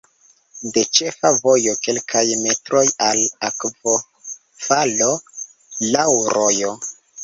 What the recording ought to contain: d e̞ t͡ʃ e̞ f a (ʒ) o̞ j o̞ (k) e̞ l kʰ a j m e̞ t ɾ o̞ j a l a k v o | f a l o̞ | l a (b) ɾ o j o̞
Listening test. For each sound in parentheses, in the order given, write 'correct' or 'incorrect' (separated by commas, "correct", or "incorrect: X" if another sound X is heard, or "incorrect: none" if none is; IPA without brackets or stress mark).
incorrect: v, correct, incorrect: w